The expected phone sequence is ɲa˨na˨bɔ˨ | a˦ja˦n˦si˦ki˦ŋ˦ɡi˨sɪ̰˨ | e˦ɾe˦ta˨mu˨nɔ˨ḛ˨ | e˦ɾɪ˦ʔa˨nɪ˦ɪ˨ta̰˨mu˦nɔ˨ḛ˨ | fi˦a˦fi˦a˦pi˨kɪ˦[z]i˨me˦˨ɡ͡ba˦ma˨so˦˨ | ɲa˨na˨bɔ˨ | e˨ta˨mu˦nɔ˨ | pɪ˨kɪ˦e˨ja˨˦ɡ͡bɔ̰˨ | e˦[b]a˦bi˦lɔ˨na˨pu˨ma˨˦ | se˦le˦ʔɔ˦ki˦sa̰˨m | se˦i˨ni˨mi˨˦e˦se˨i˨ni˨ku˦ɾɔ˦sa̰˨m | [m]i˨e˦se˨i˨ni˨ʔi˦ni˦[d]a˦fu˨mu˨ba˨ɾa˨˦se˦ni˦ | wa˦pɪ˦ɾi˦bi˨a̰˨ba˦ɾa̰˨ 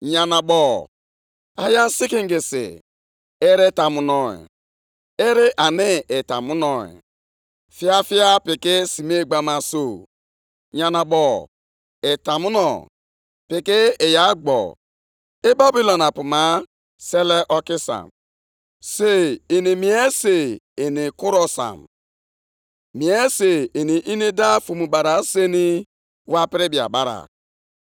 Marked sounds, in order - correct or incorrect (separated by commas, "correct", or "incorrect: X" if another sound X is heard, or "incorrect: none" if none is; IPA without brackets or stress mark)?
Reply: incorrect: s, correct, correct, correct